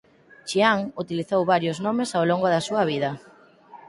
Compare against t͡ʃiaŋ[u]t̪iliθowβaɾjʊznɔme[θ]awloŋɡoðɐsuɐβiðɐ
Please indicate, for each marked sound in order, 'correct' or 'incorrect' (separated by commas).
correct, incorrect